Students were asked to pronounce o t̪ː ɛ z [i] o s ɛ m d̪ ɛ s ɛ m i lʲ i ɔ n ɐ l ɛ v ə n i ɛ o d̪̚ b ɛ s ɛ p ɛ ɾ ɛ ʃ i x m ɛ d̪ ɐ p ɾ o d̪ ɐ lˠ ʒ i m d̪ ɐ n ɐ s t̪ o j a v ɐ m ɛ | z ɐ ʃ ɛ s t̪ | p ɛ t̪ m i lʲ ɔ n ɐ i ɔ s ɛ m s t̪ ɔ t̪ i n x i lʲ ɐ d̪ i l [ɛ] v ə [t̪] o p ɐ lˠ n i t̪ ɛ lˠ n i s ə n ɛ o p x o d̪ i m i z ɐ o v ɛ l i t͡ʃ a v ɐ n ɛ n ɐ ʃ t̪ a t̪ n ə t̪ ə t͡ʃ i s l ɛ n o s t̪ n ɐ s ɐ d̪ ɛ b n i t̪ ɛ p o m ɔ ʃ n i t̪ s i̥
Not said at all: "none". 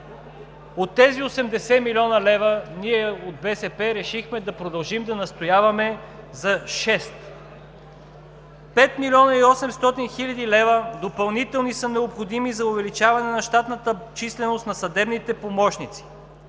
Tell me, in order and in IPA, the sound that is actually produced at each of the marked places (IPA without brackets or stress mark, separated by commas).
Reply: i, ɛ, d̪